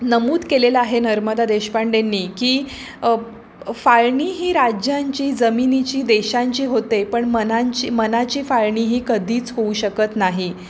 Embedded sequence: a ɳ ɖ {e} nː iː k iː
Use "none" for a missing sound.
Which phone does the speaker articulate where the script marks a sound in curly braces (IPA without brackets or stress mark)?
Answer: e